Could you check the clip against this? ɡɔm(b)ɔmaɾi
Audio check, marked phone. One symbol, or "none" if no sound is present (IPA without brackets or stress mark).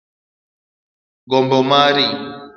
b